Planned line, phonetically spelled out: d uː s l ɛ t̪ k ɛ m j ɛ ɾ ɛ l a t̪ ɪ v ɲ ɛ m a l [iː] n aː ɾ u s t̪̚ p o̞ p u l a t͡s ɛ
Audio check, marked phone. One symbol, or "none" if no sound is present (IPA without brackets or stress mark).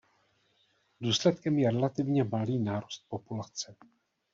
iː